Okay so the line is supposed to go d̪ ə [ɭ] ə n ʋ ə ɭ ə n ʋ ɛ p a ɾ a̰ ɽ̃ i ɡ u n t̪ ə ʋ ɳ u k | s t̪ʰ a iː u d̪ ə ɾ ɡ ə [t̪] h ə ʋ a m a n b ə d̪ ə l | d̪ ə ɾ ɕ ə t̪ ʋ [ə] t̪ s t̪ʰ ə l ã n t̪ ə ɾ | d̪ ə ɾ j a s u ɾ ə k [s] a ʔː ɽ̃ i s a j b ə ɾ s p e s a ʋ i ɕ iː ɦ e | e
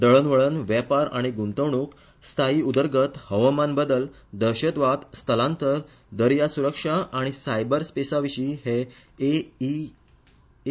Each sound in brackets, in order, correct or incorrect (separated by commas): correct, correct, incorrect, incorrect